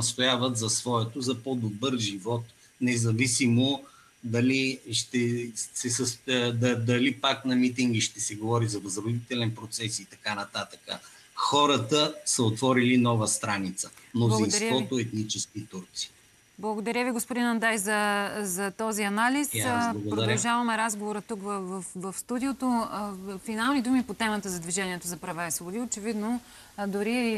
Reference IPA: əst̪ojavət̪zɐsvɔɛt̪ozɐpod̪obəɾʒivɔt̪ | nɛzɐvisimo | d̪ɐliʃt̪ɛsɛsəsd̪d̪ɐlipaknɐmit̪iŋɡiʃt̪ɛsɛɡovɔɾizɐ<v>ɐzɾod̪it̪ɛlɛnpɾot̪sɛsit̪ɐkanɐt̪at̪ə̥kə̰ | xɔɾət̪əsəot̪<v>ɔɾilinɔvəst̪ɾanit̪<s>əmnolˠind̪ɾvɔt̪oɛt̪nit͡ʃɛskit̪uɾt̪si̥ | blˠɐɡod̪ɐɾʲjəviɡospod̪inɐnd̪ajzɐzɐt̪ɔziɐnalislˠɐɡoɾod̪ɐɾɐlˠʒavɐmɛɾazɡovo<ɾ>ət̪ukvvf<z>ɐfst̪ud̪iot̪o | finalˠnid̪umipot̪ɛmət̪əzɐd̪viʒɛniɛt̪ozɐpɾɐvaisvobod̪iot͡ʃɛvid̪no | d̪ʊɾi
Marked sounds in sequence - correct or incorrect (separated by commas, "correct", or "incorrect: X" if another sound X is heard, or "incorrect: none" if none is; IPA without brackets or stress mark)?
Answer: correct, correct, correct, correct, incorrect: v